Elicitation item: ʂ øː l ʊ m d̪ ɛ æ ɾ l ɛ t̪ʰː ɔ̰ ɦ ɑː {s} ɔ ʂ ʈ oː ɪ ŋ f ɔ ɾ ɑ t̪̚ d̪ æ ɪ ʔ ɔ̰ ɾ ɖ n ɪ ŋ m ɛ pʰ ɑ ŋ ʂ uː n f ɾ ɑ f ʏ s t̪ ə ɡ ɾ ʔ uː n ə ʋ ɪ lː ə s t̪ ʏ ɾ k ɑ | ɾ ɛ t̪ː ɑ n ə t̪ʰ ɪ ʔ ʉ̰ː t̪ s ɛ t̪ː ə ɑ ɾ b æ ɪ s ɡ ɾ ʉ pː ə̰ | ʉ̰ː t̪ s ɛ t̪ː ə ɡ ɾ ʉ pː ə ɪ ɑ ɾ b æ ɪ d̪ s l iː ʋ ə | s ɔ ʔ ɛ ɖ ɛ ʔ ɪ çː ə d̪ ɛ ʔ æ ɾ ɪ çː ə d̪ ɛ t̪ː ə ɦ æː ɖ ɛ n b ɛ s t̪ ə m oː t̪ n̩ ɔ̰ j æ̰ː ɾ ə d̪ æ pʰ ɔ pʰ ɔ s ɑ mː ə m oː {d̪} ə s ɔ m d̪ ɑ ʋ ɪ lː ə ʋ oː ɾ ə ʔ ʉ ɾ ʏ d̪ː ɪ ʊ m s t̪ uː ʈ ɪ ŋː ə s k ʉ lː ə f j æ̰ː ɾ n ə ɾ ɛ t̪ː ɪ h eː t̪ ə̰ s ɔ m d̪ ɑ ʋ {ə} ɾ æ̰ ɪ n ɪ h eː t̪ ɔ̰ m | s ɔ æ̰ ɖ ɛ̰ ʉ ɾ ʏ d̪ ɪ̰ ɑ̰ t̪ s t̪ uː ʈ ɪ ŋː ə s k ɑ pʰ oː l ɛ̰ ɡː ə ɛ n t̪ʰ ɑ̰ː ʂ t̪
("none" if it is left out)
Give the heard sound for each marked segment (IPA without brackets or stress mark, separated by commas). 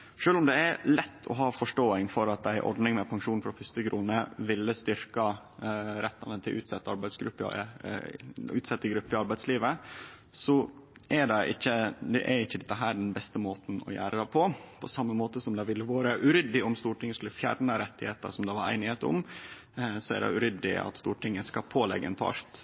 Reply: f, t̪, ɑ